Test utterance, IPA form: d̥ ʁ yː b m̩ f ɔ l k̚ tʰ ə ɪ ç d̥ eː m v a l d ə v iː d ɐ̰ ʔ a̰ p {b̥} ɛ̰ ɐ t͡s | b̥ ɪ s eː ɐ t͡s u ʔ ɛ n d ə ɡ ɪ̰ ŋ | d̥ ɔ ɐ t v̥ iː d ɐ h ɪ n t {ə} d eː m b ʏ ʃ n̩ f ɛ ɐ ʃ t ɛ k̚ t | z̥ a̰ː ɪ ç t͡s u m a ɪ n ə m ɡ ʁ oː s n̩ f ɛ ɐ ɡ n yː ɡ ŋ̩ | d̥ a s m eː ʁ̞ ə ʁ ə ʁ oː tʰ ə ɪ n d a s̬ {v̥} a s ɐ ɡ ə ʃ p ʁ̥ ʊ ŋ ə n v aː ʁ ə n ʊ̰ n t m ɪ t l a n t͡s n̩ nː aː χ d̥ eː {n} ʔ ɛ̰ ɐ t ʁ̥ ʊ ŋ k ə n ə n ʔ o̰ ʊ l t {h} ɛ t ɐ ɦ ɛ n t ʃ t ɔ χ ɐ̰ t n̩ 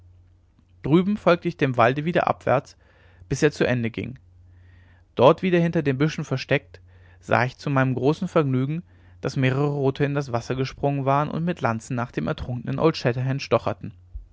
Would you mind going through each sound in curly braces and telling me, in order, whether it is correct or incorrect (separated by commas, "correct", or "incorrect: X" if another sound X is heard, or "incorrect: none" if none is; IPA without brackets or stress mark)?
incorrect: v̥, incorrect: ɐ, correct, incorrect: m, incorrect: ʃ